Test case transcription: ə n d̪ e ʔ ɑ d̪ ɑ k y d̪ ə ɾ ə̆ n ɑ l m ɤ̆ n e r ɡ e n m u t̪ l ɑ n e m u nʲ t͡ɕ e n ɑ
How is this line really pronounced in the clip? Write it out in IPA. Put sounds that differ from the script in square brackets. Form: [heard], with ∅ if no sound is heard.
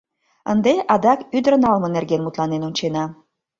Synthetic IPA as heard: ə n d̪ e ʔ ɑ d̪ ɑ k y d̪ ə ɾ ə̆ n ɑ l m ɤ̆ n e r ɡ e n m u t̪ l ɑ n e [n] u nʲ t͡ɕ e n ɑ